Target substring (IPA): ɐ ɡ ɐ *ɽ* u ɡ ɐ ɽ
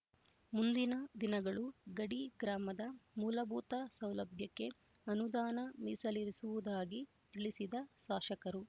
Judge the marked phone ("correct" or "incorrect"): incorrect